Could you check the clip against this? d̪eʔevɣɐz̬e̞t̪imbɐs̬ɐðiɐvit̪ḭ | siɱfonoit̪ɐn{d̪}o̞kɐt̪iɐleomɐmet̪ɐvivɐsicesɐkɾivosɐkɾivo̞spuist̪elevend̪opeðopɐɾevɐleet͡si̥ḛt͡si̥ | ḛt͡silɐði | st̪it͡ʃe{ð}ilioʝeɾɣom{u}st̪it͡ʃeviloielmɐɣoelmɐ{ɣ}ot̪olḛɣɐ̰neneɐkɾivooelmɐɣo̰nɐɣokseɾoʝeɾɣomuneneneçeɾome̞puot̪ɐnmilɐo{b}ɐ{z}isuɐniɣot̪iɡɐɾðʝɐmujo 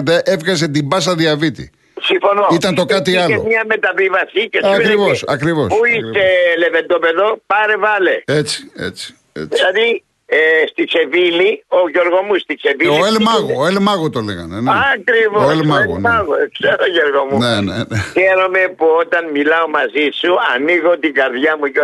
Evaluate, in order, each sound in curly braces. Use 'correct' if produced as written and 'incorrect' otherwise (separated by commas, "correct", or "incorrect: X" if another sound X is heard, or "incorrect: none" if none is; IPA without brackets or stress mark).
incorrect: t̪, incorrect: v, correct, correct, incorrect: m, correct